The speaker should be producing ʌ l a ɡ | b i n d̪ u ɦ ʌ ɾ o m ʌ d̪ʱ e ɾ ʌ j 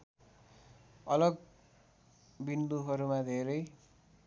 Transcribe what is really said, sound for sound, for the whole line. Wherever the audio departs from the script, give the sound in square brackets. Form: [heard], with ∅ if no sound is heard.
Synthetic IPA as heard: ʌ l [ʌ] ɡ | b i n d̪ u ɦ ʌ ɾ [u] m [a] d̪ʱ e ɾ ʌ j